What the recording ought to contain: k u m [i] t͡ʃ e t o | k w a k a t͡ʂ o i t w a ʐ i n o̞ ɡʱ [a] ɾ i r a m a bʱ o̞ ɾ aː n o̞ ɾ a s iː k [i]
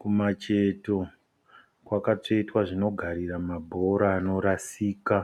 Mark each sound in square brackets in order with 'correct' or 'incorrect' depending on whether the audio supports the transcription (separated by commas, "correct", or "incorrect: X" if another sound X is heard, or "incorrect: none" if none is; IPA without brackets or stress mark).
incorrect: a, correct, incorrect: a